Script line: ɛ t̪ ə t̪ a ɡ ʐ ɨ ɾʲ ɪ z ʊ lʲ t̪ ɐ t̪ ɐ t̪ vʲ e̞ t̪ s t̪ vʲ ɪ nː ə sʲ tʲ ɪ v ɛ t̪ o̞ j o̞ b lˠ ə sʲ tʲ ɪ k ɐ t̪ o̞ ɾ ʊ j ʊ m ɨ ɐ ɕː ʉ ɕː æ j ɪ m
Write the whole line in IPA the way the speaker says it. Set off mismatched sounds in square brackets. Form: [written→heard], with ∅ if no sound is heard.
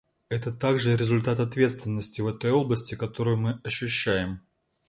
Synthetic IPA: ɛ t̪ ə t̪ a ɡ ʐ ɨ ɾʲ ɪ z ʊ lʲ t̪ [ɐ→a] t̪ ɐ t̪ vʲ e̞ t̪ s t̪ vʲ ɪ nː ə sʲ tʲ ɪ v ɛ t̪ o̞ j o̞ b lˠ ə sʲ tʲ ɪ k ɐ t̪ o̞ ɾ ʊ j ʊ m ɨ ɐ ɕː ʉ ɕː æ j ɪ m